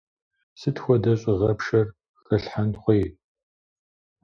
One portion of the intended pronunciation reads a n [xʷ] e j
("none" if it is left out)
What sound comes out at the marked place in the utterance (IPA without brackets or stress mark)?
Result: χʷ